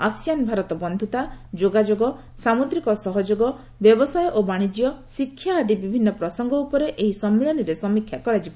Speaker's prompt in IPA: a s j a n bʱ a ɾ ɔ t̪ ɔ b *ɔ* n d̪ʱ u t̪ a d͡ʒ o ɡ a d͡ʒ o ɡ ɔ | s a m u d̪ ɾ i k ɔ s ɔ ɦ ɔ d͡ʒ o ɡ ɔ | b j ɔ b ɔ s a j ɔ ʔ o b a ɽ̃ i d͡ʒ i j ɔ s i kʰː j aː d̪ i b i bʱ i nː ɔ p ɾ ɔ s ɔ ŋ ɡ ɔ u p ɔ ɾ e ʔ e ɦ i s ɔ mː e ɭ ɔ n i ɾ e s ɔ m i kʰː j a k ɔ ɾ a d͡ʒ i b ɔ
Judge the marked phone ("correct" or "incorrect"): correct